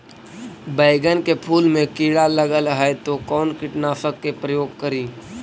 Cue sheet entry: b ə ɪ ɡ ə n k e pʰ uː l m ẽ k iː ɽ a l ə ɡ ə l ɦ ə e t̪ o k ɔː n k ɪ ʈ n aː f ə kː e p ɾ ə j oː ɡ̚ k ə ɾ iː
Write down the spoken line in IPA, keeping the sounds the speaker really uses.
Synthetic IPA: b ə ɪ ɡ ə n k e pʰ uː l m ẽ k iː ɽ a l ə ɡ ə l ɦ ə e t̪ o k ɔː n k ɪ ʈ n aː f ə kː e p ɾ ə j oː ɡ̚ k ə ɾ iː